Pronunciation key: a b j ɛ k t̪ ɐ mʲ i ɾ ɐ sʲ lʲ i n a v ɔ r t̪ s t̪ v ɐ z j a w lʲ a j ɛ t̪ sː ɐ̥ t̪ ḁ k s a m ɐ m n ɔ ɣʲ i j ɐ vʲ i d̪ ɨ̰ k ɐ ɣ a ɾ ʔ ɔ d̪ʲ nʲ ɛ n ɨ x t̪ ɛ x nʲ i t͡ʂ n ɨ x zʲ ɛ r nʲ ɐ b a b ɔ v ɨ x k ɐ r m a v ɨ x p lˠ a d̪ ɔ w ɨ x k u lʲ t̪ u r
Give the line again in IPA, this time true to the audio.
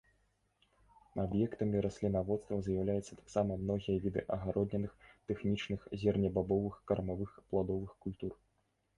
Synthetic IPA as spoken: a b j ɛ k t̪ ɐ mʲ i ɾ ɐ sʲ lʲ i n a v ɔ t̪ s t̪ v ɐ z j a w lʲ a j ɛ t̪ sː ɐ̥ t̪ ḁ k s a m ɐ m n ɔ ɣʲ i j ɐ vʲ i d̪ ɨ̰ ʔ ɐ ɣ a ɾ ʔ ɔ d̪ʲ nʲ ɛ n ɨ x t̪ ɛ x nʲ i t͡ʂ n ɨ x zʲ ɛ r nʲ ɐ b a b ɔ v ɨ x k ɐ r m a v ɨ x p lˠ a d̪ ɔ v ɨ x k u lʲ t̪ u r

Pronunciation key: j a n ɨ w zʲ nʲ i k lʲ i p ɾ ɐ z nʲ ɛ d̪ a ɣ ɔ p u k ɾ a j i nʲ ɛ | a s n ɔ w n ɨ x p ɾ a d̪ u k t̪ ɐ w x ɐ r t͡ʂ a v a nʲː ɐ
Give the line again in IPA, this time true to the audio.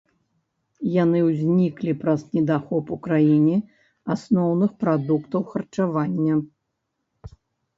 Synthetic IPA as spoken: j a n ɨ w zʲ nʲ i k lʲ i p ɾ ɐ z nʲ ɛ d̪ a x ɔ p u k ɾ a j i nʲ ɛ | a s n ɔ w n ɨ x p ɾ a d̪ u k t̪ ɐ w x ɐ r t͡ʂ a v a nʲː ɐ

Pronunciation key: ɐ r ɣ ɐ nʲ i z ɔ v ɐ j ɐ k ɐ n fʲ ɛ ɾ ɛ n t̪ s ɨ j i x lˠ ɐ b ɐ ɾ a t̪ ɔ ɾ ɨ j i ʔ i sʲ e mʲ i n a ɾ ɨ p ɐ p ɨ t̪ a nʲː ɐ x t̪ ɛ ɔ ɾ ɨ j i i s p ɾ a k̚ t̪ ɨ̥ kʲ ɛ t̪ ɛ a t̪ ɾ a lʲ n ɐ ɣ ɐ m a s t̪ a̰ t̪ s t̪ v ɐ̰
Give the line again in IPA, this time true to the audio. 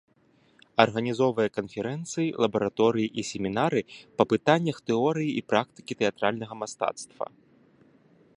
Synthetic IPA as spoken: ɐ r ɣ ɐ nʲ i z ɔ v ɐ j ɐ k ɐ n fʲ ɛ ɾ ɛ n t̪ s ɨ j i lˠ ɐ b ɐ ɾ a t̪ ɔ ɾ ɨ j i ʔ i sʲ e mʲ i n a ɾ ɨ p ɐ p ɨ t̪ a nʲː ɐ x t̪ ɛ ɔ ɾ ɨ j i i p ɾ a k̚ t̪ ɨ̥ kʲ i t̪ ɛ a t̪ ɾ a lʲ n ɐ ɣ ɐ m a s t̪ a̰ t̪ s t̪ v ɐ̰

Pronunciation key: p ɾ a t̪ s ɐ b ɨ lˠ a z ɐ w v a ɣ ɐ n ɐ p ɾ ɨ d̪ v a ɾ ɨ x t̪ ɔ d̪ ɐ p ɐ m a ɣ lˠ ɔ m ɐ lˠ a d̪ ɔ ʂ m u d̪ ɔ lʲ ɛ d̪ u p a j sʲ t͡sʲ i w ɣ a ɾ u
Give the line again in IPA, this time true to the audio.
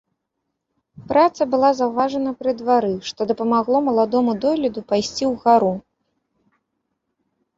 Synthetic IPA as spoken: p ɾ a t̪ s ɐ b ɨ lˠ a z ɐ w v a ʐ ɐ n ɐ p ɾ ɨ d̪ v a ɾ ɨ ʂ t̪ ɔ d̪ ɐ p ɐ m a ɣ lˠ ɔ m ɐ lˠ a d̪ ɔ m u d̪ ɔ lʲ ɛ d̪ u p a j sʲ t͡sʲ i w ɣ a ɾ u

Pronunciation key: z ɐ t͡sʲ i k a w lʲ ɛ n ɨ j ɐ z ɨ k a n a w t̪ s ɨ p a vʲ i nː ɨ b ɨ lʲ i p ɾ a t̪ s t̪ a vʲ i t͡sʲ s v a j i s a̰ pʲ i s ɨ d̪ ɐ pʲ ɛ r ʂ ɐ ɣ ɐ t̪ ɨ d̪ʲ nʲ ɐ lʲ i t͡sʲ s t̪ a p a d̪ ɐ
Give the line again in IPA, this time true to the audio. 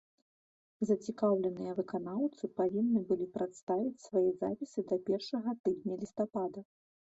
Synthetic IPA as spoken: z ɐ t͡sʲ i k a w lʲ ɛ n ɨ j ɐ v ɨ k a n a w t̪ s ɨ p a vʲ i nː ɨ b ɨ lʲ i p ɾ a t̪ s t̪ a vʲ i t͡sʲ s v a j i z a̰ pʲ i s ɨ d̪ ɐ pʲ ɛ r ʂ ɐ ɣ ɐ t̪ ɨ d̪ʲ nʲ ɐ lʲ i s t̪ a p a d̪ ɐ

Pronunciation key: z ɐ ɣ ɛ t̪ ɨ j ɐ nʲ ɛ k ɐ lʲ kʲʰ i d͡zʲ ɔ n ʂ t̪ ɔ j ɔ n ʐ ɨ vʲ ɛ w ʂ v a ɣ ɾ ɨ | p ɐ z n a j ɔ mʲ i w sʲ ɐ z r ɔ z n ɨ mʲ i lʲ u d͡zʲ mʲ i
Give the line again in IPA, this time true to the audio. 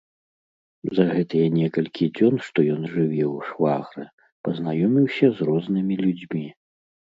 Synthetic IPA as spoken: z ɐ ɣ ɛ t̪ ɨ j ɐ nʲ ɛ k ɐ lʲ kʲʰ i d͡zʲ ɔ n ʂ t̪ ɔ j ɔ n ʐ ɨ vʲ ɛ w ʂ v a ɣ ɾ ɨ | p ɐ z n a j ɔ mʲ i w sʲ ɐ z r ɔ z n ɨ mʲ i lʲ u d͡zʲ mʲ i

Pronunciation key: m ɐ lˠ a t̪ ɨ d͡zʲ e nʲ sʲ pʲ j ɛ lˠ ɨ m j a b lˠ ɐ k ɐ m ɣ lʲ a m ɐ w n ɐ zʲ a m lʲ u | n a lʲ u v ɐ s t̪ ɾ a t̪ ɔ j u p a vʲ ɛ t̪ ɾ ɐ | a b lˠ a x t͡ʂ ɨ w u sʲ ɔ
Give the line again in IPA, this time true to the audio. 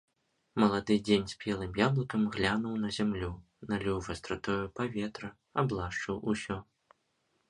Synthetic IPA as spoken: m ɐ lˠ a d̪ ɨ d͡zʲ e nʲ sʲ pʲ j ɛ lˠ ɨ m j a b lˠ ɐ k ɐ m ɣ lʲ a n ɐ w n ɐ zʲ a m lʲ u | n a lʲ u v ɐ s t̪ ɾ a t̪ ɔ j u p a vʲ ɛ t̪ ɾ ɐ | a b lˠ a ʂ t͡ʂ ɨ w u sʲ ɔ

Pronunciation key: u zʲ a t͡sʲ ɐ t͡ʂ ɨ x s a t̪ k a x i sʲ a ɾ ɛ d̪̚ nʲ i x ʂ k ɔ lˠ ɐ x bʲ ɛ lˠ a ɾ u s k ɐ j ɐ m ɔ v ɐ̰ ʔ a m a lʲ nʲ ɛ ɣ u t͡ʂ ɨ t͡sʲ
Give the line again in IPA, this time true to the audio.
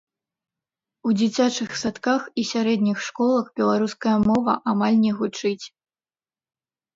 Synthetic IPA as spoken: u d͡zʲ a t͡sʲ a t͡ʂ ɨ x s a t̪ k a x i sʲ a ɾ ɛ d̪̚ nʲ i x ʂ k ɔ lˠ ɐ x bʲ ɛ lˠ a ɾ u s k ɐ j ɐ m ɔ v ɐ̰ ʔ a m a lʲ nʲ ɛ ɣ u t͡ʂ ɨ t͡sʲ

